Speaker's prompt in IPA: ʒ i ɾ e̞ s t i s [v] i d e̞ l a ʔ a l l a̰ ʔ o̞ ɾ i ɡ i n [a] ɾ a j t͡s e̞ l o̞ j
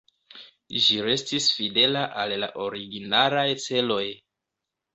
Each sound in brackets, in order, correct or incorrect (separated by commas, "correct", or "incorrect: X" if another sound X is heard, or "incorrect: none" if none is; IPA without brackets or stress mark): incorrect: f, correct